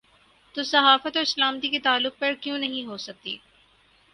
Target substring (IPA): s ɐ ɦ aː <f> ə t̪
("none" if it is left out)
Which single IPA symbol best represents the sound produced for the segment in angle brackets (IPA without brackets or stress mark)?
f